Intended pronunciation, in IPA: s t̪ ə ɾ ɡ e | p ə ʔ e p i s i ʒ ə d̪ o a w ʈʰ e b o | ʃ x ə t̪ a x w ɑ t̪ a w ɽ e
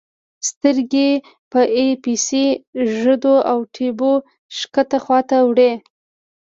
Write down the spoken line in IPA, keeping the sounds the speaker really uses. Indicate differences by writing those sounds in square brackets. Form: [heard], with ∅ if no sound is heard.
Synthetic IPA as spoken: s t̪ ə ɾ ɡ e | p ə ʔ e p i s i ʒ ə d̪ o a w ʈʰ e b o | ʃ [k] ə t̪ a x w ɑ t̪ a w ɽ e